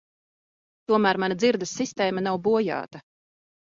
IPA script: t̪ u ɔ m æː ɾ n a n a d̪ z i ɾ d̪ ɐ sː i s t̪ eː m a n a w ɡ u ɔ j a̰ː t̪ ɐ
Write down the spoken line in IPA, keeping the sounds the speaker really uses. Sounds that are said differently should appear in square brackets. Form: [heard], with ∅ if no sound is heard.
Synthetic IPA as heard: t̪ u ɔ m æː ɾ [m] a n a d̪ z i ɾ d̪ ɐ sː i s t̪ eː m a n a w [b] u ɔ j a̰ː t̪ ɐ